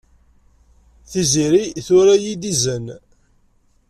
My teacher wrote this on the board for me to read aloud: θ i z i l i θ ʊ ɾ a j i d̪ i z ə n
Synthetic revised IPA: θ i z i ɾ i θ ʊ ɾ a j i d̪ i z ə n